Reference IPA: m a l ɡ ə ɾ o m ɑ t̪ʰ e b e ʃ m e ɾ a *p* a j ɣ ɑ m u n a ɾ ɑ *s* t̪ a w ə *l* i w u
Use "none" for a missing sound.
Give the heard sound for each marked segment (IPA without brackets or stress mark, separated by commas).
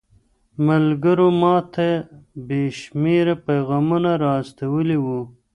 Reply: p, s, l